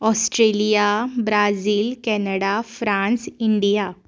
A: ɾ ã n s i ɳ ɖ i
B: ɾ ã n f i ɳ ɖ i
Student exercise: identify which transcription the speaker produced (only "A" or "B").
A